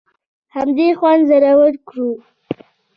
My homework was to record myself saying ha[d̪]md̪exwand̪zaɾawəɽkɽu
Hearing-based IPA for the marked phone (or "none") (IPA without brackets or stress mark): none